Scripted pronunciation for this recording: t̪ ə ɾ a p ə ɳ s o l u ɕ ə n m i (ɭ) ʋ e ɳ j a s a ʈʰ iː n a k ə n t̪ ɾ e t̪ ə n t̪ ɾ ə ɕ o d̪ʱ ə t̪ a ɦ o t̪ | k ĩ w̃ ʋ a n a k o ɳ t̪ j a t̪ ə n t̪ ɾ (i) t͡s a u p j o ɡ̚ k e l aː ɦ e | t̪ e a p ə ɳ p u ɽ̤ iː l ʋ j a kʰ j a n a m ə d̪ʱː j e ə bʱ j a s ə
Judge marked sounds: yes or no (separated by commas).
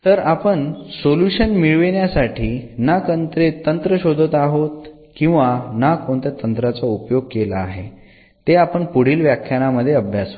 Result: yes, no